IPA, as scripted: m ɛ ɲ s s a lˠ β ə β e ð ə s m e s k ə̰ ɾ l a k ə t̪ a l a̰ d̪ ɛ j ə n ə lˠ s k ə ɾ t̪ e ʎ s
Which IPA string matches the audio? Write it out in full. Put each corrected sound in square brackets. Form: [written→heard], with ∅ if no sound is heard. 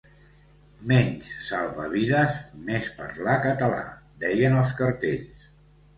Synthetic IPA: m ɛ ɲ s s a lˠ β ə β [e→i] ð ə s m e s [k→p] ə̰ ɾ l a k ə t̪ [a→ə] l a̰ d̪ ɛ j ə n ə lˠ s k ə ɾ t̪ e ʎ s